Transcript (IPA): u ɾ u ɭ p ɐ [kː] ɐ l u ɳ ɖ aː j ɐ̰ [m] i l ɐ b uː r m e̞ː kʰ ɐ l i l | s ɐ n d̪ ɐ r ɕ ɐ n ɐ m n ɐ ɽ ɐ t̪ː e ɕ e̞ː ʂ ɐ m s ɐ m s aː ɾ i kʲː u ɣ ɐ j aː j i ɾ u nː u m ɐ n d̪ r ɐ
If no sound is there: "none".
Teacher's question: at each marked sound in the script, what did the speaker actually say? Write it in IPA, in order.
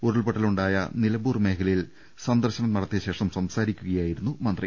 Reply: ʈː, n

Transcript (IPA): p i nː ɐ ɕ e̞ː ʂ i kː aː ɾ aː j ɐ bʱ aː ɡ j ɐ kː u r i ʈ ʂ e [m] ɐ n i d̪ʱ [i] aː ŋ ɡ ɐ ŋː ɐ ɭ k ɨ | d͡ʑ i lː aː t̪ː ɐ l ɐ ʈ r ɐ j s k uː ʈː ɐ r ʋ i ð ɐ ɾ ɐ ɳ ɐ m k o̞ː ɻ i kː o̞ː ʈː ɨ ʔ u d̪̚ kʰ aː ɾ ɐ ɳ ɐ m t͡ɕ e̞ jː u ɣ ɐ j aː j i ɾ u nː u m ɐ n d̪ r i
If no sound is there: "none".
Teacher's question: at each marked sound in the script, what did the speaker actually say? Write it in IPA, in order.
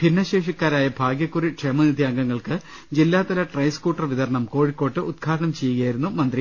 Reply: m, j

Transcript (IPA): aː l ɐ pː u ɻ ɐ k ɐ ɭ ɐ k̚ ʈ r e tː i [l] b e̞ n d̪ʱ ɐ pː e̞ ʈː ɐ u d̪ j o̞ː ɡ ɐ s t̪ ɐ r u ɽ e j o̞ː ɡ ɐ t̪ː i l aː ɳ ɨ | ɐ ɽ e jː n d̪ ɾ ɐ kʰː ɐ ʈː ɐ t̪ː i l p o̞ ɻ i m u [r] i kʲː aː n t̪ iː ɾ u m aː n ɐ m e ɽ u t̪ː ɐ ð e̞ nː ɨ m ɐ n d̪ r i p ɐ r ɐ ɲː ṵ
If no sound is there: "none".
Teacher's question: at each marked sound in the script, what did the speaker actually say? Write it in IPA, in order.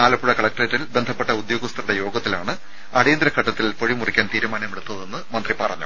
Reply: l, r

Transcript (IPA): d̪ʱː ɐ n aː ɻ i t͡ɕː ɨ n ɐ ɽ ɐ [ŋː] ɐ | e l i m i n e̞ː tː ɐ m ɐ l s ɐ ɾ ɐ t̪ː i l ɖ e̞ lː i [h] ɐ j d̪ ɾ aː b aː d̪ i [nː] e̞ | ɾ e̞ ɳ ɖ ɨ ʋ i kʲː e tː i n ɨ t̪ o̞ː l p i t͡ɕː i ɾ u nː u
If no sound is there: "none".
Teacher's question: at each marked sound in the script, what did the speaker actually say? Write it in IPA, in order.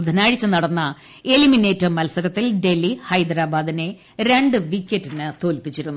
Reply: nː, h, n

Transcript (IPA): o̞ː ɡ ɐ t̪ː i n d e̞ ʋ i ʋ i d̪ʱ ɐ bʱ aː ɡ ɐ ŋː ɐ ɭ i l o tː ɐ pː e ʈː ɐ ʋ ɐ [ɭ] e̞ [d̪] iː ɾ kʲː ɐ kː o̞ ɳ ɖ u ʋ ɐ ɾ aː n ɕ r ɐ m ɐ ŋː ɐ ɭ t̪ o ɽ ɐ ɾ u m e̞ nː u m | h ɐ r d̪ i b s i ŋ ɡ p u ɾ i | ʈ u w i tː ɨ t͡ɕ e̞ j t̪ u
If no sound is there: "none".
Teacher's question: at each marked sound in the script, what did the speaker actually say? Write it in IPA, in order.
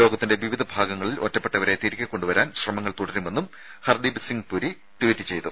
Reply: ɾ, t̪

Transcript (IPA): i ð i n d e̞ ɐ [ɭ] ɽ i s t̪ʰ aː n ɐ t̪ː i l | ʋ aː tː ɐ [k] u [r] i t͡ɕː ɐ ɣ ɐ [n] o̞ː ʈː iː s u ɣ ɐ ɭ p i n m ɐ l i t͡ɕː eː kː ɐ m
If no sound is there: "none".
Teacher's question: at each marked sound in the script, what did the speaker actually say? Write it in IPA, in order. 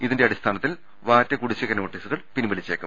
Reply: none, k, ɽ, n

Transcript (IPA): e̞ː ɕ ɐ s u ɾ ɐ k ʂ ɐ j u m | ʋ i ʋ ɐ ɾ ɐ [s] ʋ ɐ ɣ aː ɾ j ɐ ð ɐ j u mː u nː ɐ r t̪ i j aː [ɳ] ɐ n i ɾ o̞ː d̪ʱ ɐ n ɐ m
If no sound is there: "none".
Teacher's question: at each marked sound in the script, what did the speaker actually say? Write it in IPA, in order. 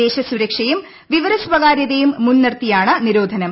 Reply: s, ɳ

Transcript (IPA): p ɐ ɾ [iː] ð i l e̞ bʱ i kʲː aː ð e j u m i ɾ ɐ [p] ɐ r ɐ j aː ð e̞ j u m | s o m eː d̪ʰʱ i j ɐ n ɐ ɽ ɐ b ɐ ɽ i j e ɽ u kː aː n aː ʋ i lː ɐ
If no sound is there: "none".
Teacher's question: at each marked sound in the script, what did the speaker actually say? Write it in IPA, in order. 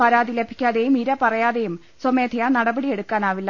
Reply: aː, p

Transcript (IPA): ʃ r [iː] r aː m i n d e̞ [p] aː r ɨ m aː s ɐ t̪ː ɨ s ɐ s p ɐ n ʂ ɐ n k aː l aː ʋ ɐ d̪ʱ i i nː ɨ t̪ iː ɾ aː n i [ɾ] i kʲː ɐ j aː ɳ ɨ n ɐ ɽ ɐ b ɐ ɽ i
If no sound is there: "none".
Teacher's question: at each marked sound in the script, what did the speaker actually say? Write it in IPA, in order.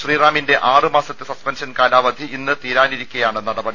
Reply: iː, ʔ, ɾ

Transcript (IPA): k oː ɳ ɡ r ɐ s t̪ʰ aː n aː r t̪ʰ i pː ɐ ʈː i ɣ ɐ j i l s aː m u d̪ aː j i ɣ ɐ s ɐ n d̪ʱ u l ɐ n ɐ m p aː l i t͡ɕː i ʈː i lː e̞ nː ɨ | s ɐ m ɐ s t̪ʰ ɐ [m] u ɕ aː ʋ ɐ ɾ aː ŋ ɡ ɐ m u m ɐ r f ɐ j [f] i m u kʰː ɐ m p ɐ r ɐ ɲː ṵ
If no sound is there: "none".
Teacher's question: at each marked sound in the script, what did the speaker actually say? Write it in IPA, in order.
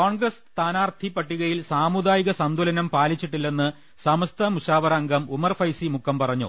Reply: m, s

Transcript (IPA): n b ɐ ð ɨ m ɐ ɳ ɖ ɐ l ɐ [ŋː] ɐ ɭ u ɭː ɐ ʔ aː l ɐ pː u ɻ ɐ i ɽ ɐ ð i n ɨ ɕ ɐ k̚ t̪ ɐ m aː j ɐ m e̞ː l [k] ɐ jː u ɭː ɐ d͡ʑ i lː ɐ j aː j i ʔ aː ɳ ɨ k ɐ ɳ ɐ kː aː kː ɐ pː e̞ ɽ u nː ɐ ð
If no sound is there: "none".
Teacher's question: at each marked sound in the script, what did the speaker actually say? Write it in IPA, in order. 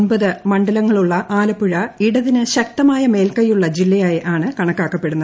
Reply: ŋː, k

